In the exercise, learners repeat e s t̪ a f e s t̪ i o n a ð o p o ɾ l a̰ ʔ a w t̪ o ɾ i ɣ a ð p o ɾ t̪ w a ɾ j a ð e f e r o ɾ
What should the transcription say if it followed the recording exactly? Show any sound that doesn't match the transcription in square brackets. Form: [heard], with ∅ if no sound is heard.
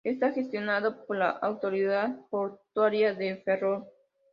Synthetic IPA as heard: e s t̪ a [x] e s t̪ [j] o n a ð o p o ɾ l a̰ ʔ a w t̪ o ɾ i [ð] a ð p o ɾ t̪ w a ɾ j a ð e f e r o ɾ